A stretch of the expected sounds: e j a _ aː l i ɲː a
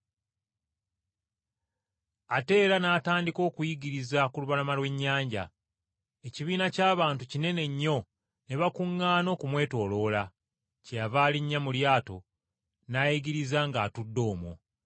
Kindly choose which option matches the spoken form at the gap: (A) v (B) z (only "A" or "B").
A